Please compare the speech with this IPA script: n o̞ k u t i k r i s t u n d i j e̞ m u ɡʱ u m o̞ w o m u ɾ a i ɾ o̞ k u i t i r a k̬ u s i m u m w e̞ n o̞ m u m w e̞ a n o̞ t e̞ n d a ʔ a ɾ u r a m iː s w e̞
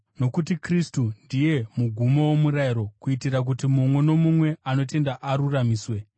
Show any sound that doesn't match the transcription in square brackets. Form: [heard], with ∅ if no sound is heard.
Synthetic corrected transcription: n o̞ k u t i k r i s t u n d i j e̞ m u ɡʱ u m o̞ w o m u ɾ a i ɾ o̞ k u i t i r a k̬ u [t] i m u m w e̞ n o̞ m u m w e̞ a n o̞ t e̞ n d a ʔ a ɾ u r a m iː s w e̞